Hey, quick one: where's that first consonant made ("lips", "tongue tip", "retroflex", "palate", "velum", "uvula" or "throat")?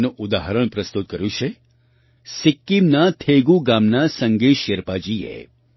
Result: tongue tip